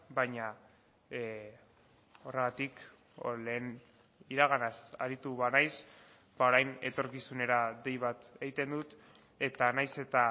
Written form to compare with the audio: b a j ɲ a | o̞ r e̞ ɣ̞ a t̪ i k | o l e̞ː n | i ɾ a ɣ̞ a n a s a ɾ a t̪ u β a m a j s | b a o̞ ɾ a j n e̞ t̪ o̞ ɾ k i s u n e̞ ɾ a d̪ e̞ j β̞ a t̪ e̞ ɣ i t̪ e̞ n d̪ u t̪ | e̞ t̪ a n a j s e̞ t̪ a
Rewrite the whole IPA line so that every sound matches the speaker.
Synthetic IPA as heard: b a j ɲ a | o̞ r e̞ ɣ̞ a t̪ i k | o l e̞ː n | i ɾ a ɣ̞ a n a s a ɾ i t̪ u β a n a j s | b a o̞ ɾ a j n e̞ t̪ o̞ ɾ k i s u n e̞ ɾ a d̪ e̞ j β̞ a t̪ e̞ ɣ i t̪ e̞ n d̪ u t̪ | e̞ t̪ a n a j s e̞ t̪ a